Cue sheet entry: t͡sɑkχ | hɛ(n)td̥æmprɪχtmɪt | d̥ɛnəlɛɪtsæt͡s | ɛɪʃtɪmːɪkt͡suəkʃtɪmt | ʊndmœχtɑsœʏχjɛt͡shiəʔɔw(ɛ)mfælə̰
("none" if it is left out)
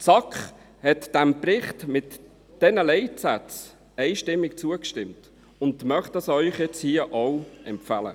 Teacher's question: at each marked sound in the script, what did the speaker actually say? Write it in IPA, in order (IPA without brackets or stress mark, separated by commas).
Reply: none, ɛ